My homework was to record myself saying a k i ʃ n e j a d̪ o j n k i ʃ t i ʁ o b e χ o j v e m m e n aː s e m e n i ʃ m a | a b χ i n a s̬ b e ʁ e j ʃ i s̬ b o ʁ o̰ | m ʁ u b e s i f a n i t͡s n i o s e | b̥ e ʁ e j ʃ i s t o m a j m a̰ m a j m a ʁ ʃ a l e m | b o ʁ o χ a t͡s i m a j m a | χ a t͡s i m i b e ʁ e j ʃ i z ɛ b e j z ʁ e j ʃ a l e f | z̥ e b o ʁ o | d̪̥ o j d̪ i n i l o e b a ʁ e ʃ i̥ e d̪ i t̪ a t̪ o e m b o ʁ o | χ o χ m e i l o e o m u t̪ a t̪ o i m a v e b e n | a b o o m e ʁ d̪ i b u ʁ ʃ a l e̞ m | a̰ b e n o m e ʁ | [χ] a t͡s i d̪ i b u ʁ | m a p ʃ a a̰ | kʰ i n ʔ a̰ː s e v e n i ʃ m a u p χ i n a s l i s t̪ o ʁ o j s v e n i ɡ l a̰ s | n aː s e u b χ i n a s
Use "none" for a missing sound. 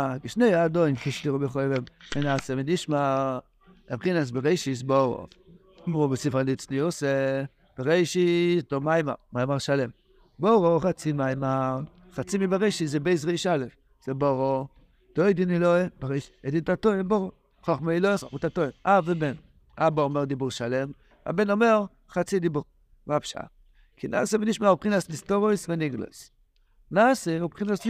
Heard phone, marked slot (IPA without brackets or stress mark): χ